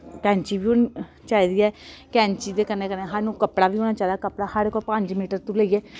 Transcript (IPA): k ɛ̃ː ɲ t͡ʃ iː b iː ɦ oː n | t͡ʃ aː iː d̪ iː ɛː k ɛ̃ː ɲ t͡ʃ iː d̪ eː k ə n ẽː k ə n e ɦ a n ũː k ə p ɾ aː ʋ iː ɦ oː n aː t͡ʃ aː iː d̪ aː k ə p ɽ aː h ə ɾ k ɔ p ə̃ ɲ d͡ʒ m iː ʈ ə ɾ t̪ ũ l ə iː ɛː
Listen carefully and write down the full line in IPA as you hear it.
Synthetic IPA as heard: k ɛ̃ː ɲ t͡ʃ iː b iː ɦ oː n | t͡ʃ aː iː d̪ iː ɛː k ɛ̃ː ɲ t͡ʃ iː d̪ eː k ə n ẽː k ə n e ɦ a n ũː k ə p ɽ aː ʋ iː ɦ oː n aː t͡ʃ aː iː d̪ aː k ə p ɽ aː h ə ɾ k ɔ p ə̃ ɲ d͡ʒ m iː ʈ ə ɾ t̪ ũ l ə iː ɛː